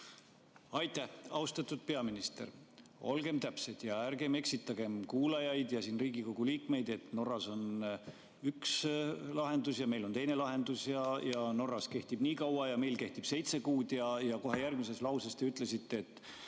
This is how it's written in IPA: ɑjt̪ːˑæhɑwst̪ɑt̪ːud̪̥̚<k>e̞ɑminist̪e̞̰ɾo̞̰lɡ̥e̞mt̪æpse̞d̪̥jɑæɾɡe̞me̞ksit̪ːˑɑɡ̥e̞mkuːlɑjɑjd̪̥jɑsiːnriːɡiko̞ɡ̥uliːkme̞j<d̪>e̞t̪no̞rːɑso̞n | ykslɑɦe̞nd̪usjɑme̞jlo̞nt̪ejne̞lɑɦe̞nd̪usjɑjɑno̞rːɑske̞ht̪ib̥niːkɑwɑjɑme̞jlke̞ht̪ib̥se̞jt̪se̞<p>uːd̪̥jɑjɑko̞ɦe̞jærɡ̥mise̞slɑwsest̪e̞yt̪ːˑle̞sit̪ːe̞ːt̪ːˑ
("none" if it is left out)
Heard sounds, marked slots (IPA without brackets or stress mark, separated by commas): p, d̪, k